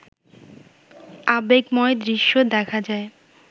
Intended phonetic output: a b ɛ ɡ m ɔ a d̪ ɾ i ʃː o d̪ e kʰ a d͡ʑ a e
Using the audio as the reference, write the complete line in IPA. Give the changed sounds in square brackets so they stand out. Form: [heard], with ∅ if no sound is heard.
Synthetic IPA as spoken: a b [e] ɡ m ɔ [e] d̪ ɾ i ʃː o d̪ [ɛ] kʰ a d͡ʑ a e